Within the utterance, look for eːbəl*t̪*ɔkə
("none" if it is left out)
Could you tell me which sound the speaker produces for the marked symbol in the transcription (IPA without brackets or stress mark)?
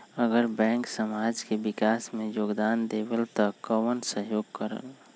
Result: t̪